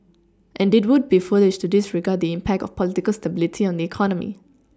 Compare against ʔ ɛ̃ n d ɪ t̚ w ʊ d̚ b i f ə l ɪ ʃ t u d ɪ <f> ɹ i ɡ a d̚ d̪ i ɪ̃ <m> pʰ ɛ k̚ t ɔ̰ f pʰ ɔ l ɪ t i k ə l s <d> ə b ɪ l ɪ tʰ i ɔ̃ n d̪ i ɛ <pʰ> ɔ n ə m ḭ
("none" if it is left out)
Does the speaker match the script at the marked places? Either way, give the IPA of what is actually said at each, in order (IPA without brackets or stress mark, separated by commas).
s, m, t, kʰ